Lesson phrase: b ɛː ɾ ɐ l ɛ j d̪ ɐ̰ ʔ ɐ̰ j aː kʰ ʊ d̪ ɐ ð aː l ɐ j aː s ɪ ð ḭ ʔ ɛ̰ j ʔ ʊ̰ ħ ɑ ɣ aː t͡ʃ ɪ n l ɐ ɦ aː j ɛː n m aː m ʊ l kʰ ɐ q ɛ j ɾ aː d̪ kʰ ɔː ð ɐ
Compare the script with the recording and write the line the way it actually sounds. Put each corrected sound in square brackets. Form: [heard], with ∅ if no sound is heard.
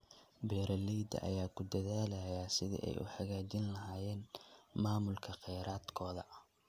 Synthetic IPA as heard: b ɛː ɾ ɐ l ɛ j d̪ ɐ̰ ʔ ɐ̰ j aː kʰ ʊ d̪ ɐ ð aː l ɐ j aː s ɪ ð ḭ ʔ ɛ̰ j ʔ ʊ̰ ħ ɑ ɣ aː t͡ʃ ɪ n l ɐ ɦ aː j ɛː n m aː m ʊ l kʰ ɐ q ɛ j ɾ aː d̪ kʰ ɔː ð ɐ